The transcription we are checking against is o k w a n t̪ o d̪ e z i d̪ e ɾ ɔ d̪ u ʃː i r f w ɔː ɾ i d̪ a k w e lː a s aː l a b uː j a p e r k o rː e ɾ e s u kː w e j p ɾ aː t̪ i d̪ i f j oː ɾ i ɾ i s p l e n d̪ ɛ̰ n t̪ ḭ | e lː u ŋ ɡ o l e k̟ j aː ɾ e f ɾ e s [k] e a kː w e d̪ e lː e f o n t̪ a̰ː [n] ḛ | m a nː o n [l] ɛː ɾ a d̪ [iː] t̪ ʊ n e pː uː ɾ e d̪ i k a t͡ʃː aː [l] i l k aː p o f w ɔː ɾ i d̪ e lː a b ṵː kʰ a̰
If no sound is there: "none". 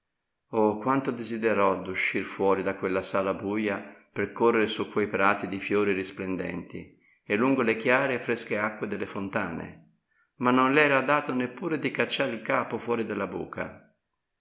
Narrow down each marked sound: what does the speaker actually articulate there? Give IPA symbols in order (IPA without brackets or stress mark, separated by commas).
k, n, l, aː, ɾ